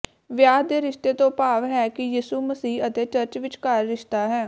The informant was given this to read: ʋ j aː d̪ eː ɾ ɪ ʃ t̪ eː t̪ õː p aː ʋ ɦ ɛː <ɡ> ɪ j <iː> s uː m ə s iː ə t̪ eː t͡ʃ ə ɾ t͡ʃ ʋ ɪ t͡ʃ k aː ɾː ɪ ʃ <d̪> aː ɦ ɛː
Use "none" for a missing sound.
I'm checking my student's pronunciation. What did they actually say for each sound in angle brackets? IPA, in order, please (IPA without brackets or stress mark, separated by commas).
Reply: k, iː, t̪